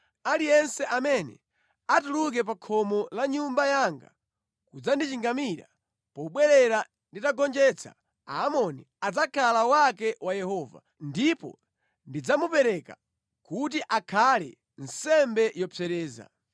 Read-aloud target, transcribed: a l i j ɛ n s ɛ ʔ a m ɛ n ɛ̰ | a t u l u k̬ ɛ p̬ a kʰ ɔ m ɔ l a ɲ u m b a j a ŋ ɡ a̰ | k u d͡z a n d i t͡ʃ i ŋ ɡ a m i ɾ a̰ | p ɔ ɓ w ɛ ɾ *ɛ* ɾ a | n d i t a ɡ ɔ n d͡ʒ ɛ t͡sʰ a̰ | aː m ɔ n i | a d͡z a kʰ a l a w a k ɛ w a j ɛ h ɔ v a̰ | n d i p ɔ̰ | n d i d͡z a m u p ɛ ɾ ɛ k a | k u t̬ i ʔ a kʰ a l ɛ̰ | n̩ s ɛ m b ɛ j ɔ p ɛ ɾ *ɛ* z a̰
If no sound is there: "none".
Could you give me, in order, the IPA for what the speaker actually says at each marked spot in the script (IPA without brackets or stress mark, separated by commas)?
ɛ, ɛː